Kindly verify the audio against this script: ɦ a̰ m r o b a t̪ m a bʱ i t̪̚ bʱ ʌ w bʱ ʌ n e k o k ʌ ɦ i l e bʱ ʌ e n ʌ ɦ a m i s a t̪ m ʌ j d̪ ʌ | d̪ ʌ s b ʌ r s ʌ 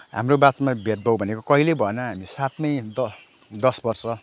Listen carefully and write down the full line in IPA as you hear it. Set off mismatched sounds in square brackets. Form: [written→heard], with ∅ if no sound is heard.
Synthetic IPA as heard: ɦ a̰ m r o b a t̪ m a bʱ [i→e] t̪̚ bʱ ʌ w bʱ ʌ n e k o k ʌ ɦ i l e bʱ ʌ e n ʌ ɦ a m i s a t̪ m ʌ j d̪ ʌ | d̪ ʌ s b ʌ r s ʌ